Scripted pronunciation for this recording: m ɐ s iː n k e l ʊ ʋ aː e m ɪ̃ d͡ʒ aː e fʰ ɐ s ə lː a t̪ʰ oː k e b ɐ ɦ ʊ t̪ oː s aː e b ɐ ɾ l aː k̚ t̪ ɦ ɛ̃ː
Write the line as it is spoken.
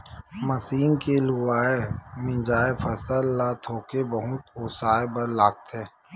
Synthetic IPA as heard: m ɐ s iː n k e l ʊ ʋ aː e m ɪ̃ d͡ʒ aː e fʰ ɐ s ə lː a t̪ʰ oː k e b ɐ ɦ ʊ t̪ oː s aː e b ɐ ɾ l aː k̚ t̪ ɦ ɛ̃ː